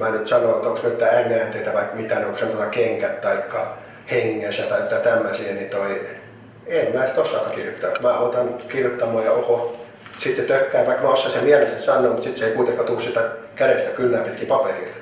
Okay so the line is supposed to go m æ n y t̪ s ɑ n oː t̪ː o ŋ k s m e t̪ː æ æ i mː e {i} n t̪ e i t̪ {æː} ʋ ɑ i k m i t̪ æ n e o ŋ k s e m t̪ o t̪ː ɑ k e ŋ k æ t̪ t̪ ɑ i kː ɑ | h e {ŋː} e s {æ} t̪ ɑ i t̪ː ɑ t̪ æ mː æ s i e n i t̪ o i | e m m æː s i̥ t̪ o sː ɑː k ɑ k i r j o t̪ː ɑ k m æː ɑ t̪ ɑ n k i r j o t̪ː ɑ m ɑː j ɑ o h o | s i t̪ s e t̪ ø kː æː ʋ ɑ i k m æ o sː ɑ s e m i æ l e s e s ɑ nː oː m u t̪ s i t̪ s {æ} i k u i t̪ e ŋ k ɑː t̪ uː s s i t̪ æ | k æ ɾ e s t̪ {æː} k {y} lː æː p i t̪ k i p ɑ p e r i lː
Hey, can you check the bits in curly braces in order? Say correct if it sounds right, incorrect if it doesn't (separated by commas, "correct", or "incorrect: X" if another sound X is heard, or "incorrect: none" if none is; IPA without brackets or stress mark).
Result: incorrect: æ, incorrect: æ, correct, correct, incorrect: e, incorrect: æ, correct